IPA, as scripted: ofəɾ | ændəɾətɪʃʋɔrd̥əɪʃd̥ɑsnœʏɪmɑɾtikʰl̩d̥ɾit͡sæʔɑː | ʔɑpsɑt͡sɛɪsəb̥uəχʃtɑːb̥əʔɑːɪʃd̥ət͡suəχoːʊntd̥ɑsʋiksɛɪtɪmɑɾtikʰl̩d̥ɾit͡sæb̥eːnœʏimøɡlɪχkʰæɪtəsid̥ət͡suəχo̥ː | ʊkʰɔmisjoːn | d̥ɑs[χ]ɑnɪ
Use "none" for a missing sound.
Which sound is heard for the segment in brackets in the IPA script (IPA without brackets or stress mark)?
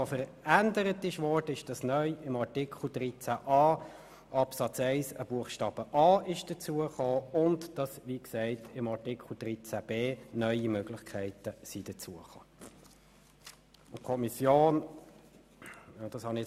h